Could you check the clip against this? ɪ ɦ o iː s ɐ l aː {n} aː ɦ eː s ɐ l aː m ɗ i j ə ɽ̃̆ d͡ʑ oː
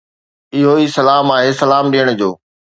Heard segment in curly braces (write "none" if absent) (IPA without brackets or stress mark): m